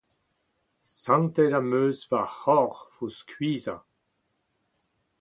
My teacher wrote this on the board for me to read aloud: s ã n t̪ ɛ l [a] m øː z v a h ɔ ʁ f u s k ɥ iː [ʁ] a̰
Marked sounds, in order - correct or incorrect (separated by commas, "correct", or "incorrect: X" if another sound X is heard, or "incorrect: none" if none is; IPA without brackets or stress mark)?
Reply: correct, incorrect: z